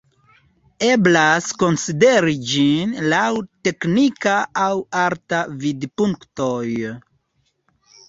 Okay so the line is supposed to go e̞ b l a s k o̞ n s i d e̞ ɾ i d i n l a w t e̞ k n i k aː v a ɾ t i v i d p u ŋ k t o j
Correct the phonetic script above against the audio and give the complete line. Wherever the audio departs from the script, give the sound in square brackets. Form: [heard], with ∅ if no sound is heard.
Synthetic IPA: e̞ b l a s k o̞ n s i d e̞ ɾ i [d͡ʒ] i n l a w t e̞ k n i k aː [w] a ɾ t [a] v i d p u ŋ k t o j